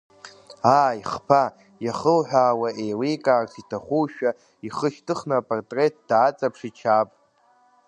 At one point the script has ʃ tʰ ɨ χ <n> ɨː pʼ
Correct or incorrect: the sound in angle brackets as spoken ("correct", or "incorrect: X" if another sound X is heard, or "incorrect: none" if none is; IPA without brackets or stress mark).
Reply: correct